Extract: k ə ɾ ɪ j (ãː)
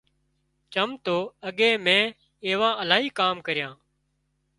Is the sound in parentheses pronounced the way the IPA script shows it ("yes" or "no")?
yes